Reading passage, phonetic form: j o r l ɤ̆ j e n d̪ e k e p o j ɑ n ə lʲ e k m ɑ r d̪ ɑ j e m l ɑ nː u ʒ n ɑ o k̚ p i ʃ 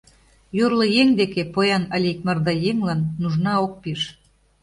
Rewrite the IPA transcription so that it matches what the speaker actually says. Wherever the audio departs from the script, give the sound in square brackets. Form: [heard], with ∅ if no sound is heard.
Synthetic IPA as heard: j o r l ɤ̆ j e [ŋ] d̪ e k e p o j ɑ n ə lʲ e k m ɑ r d̪ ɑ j e m l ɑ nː u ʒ n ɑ o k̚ p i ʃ